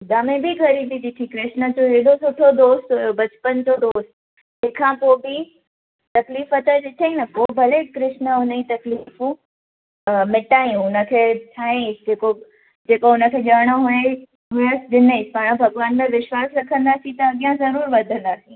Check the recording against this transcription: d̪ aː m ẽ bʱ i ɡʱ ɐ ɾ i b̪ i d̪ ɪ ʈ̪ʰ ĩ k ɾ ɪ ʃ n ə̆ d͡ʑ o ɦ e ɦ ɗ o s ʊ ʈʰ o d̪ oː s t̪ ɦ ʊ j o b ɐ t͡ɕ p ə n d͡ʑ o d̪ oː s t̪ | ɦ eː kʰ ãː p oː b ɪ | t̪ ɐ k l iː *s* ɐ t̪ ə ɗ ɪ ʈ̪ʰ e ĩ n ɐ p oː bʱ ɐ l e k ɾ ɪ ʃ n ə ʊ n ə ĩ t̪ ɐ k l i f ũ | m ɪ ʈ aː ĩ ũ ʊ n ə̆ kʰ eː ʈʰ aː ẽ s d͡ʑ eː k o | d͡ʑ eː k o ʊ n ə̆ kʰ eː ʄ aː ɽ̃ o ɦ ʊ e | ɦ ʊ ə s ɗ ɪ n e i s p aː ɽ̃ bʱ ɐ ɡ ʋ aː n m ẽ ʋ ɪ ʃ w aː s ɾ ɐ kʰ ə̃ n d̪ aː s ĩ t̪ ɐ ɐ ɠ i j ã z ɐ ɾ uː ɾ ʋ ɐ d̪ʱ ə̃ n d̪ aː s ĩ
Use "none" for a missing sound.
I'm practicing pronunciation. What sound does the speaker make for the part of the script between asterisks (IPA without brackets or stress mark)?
f